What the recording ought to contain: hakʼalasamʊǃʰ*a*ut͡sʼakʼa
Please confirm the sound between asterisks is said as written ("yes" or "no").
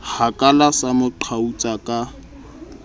yes